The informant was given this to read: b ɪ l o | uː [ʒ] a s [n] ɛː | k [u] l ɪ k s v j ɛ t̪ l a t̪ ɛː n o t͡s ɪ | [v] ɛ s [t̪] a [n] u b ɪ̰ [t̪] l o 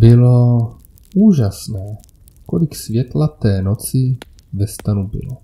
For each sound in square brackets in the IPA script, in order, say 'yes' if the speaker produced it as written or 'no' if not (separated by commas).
yes, yes, no, yes, yes, yes, no